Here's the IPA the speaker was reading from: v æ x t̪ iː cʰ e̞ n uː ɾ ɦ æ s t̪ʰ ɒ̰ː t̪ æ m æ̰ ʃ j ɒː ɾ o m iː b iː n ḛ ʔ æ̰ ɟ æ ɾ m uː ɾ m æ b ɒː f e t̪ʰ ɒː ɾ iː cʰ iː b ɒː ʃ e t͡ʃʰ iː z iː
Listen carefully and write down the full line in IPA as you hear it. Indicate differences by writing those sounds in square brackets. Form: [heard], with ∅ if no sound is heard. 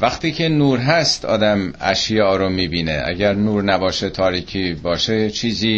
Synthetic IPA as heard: v æ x t̪ iː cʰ e̞ n uː ɾ ɦ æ s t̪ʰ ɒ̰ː [d̪] æ m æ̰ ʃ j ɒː ɾ o m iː b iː n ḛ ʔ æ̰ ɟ æ ɾ [n] uː ɾ [n] æ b ɒː [ʃ] e t̪ʰ ɒː ɾ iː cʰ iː b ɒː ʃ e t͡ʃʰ iː z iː